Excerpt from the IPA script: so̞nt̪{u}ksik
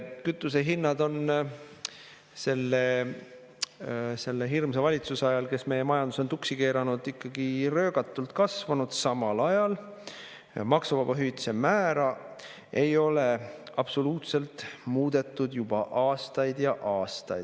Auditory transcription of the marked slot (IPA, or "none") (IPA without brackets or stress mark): u